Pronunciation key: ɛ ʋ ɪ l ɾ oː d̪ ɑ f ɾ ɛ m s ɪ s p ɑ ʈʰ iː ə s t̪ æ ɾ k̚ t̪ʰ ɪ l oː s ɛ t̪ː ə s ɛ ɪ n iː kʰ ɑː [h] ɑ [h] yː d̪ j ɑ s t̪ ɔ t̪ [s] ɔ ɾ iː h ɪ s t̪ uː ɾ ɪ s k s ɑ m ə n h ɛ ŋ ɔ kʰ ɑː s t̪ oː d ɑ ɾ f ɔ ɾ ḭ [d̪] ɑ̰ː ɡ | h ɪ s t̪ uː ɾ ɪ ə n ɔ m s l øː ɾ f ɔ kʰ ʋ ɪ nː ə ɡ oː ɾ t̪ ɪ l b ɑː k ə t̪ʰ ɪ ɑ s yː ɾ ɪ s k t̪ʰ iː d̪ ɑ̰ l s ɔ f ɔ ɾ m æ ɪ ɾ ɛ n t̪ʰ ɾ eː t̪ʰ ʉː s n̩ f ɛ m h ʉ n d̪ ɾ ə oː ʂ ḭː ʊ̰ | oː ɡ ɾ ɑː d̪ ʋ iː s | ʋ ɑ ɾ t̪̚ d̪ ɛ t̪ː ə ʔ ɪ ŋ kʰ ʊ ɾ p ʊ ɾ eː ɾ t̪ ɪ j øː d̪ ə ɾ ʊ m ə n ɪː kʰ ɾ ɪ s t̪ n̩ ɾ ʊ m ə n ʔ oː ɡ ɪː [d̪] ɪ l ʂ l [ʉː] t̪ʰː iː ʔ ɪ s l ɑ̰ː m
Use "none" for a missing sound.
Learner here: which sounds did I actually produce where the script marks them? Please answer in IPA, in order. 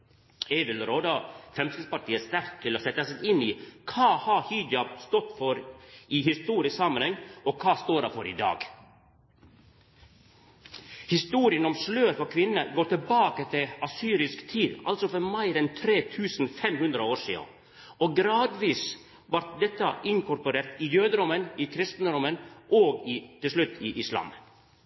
h, h, f, d̪, t̪, ʉ

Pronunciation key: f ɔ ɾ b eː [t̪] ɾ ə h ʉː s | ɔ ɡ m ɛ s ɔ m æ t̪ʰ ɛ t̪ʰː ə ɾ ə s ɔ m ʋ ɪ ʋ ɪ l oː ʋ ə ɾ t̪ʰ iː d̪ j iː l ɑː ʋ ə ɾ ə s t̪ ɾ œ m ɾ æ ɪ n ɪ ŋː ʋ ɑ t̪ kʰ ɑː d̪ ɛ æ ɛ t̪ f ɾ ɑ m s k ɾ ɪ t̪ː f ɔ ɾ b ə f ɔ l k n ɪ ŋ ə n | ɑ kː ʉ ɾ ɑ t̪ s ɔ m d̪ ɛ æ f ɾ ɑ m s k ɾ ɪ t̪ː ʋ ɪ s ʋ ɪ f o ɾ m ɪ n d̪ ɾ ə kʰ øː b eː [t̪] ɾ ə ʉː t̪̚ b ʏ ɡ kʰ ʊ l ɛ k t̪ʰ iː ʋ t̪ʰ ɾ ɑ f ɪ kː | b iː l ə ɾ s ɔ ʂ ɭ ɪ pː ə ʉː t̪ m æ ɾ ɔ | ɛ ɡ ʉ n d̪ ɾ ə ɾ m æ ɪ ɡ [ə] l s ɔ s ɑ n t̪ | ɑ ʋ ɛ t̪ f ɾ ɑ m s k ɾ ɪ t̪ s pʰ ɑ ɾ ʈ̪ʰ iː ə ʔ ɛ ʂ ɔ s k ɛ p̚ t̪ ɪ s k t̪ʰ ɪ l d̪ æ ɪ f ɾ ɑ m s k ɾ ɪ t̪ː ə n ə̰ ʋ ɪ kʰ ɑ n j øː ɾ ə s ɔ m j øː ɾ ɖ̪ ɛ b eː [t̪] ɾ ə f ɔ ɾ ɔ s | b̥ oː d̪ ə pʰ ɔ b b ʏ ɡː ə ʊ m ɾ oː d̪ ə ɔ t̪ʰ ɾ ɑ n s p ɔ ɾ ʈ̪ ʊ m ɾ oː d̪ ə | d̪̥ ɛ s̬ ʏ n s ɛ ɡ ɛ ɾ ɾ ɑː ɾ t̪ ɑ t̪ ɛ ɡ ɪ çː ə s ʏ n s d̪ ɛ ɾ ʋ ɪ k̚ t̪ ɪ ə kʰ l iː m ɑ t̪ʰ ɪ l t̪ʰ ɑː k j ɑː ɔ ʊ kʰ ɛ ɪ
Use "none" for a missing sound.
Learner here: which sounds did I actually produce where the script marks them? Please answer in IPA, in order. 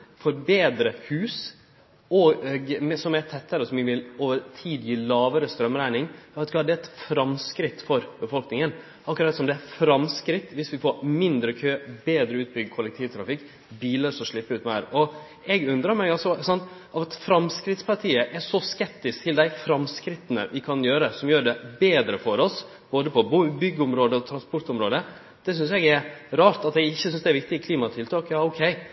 d̪, d̪, ɑ, d̪

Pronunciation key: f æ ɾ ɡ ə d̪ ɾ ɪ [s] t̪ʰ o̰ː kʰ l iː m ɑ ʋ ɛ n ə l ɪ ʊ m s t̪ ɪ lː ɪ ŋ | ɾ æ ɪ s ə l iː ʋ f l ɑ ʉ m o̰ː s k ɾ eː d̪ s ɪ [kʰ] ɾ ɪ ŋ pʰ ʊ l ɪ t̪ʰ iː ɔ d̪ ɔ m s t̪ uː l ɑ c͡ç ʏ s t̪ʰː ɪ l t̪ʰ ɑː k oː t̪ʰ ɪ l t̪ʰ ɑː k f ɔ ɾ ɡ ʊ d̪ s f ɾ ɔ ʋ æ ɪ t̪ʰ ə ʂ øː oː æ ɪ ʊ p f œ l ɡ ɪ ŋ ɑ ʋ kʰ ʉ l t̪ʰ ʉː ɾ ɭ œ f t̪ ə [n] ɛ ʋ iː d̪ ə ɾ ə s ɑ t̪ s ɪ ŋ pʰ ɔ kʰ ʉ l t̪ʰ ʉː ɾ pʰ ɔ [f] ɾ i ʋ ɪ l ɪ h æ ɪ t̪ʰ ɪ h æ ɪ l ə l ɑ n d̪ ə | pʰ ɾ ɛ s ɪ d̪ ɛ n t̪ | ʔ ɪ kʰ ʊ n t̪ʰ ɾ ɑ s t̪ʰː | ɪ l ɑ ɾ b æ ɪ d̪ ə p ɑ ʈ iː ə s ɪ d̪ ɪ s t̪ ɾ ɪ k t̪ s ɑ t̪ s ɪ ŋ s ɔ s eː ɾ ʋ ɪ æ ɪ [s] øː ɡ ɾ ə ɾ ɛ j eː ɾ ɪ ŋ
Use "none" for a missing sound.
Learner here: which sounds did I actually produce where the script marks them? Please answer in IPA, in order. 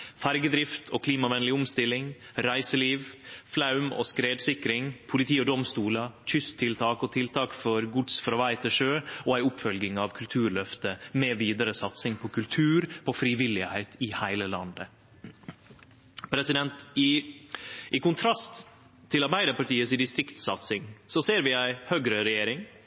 f, k, m, f, h

